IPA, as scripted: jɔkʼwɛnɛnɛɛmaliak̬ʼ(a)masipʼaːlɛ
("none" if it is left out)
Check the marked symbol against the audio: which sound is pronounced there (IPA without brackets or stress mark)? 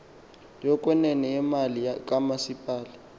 a